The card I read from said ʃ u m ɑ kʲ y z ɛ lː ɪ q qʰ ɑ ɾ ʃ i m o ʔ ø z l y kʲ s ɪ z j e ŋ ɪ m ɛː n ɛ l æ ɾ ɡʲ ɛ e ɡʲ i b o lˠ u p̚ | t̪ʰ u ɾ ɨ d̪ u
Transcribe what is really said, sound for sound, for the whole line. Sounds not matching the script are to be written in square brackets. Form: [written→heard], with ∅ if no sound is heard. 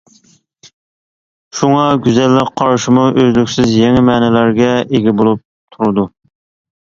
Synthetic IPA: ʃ u [m→ŋ] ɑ [kʲ→ɡʲ] y z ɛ lː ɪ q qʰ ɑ ɾ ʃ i m [o→u] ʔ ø z l y kʲ s ɪ z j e ŋ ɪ m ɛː n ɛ l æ ɾ ɡʲ ɛ e ɡʲ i b o lˠ u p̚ | t̪ʰ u ɾ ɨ d̪ u